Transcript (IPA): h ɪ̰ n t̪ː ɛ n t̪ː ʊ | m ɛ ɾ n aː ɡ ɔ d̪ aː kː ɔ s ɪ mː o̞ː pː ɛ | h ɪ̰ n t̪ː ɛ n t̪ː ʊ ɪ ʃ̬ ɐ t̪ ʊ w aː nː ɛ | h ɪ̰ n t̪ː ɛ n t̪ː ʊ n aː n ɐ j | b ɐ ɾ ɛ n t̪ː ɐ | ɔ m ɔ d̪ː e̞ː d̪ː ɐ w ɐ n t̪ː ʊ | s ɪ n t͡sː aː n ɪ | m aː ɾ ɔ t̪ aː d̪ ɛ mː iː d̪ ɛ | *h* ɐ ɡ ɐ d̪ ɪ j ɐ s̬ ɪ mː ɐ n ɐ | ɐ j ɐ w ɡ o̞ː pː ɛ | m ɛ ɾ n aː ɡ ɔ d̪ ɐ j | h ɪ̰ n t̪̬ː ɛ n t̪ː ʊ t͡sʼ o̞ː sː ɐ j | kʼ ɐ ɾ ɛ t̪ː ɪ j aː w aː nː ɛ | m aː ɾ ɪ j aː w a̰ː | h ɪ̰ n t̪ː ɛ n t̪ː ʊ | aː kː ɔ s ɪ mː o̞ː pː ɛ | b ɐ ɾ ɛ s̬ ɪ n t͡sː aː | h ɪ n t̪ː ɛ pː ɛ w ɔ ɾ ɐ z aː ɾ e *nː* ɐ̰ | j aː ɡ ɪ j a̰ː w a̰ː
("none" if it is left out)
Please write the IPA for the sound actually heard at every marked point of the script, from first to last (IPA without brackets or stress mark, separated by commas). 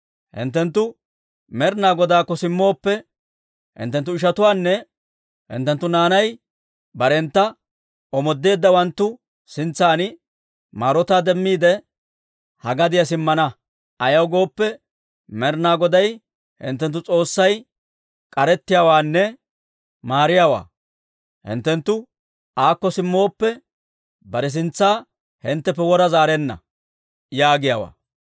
h, nː